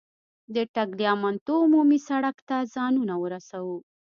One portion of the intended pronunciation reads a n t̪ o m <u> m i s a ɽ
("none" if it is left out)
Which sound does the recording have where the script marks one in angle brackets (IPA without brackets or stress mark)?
u